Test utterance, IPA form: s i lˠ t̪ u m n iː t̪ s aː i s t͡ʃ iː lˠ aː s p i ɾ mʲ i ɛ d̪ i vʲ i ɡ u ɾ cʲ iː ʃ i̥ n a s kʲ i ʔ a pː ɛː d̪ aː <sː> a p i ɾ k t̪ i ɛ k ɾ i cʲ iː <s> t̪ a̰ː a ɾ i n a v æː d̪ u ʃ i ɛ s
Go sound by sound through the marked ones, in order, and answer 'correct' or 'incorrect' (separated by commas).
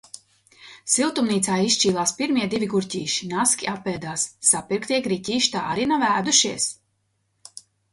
correct, incorrect